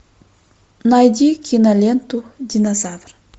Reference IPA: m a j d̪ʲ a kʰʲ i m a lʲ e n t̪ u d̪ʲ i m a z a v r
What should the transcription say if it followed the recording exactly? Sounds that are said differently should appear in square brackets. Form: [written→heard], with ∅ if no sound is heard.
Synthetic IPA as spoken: [m→n] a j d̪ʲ [a→i] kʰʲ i [m→n] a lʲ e n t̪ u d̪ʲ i [m→n] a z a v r